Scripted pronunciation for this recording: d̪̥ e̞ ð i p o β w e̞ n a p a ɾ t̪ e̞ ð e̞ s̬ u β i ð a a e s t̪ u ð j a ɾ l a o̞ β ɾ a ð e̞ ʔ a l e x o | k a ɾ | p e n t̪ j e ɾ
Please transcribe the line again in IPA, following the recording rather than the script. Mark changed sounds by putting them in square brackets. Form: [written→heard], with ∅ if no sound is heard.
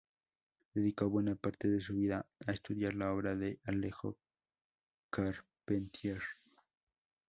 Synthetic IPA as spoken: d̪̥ e̞ ð i [p→k] o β w e̞ n a p a ɾ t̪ e̞ ð e̞ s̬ u β i ð a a e s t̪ u ð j a ɾ l a o̞ β ɾ a ð e̞ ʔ a l e x o | k a ɾ | p e n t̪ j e ɾ